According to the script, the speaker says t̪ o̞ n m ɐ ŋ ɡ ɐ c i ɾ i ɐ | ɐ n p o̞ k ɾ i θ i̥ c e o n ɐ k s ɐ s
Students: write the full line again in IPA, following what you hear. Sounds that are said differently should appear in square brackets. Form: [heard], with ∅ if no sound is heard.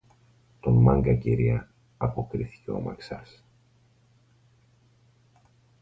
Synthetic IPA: t̪ o̞ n m ɐ ŋ ɡ ɐ c i ɾ i ɐ | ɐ [∅] p o̞ k ɾ i θ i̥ c e o [m] ɐ k s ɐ s